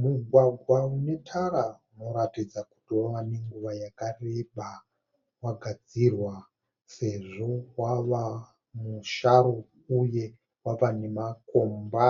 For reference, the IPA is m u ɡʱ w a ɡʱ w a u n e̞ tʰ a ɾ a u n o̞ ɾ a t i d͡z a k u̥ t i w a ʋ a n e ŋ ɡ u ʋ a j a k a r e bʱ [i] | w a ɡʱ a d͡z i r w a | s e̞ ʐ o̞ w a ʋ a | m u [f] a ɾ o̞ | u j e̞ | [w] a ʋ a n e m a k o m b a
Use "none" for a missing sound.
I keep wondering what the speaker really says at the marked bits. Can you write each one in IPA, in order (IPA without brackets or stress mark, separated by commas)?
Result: a, ʃ, w